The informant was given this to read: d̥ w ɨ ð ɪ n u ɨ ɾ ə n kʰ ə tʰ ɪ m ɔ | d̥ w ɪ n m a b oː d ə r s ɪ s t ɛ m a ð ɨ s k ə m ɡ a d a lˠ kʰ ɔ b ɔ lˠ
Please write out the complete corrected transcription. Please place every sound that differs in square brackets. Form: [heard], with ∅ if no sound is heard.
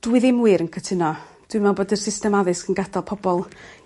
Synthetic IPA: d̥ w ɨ ð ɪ [m] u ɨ ɾ ə n kʰ ə tʰ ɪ [n] ɔ | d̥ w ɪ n m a b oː d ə r s ɪ s t ɛ m a ð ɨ s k ə [n] ɡ a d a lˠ [pʰ] ɔ b ɔ lˠ